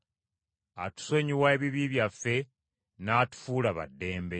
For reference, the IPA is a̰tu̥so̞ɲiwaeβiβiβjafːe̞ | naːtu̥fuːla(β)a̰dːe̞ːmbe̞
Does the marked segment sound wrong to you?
no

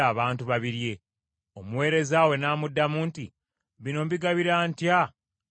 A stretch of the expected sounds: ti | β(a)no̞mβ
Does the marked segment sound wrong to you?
yes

